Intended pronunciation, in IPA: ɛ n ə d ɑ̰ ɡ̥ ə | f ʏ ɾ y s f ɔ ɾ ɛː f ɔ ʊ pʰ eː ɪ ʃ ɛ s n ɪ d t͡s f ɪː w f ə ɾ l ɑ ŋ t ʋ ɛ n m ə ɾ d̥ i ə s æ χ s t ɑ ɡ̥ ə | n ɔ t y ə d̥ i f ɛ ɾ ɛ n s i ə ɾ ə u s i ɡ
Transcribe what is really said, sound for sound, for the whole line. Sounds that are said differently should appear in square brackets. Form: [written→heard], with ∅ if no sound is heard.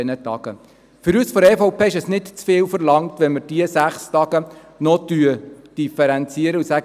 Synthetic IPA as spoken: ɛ n ə [d→t] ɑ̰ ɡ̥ ə | f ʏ ɾ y s f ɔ ɾ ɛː f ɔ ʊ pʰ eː ɪ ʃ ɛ s n ɪ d t͡s f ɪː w f ə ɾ l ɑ ŋ t ʋ ɛ n m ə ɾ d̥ i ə s æ χ s t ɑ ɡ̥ ə | n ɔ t y ə d̥ i f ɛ ɾ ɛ n [s→t͡s] i ə ɾ ə u s [i→æ] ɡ

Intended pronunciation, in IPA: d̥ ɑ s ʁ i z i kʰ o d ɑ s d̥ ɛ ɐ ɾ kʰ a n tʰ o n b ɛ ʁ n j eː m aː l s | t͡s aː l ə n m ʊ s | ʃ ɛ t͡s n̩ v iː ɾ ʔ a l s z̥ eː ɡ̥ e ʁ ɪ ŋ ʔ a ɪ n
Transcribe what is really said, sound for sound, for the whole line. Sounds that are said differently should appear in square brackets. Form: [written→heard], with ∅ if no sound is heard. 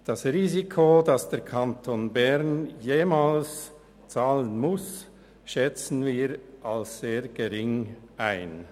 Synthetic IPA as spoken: d̥ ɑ s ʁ [i→iː] z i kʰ o d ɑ s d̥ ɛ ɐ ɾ kʰ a n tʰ o n b ɛ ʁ n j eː m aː l s | t͡s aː l ə n m ʊ s | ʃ ɛ t͡s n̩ v iː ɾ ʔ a l s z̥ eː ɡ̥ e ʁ ɪ ŋ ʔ a ɪ n

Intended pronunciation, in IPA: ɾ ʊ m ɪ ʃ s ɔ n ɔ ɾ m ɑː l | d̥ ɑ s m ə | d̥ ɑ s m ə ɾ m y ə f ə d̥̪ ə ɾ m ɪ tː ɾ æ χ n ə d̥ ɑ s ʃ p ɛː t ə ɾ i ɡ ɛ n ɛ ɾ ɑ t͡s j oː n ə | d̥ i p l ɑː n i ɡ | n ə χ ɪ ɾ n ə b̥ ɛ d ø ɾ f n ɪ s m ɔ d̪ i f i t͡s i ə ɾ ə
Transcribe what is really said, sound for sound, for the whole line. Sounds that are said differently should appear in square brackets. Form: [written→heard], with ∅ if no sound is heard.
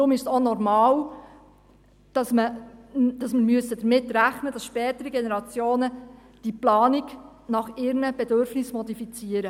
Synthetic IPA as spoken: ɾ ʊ m ɪ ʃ s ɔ n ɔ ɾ m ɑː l | d̥ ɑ s m ə | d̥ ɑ s m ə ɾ m y ə [f→s] ə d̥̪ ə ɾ m ɪ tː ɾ æ χ n ə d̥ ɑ s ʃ p ɛː t ə ɾ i ɡ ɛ n ɛ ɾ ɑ t͡s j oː n ə | d̥ i p l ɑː n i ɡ | n [ə→ɑ] χ ɪ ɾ n ə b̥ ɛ d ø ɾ f n ɪ s m ɔ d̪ i f i t͡s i ə ɾ ə

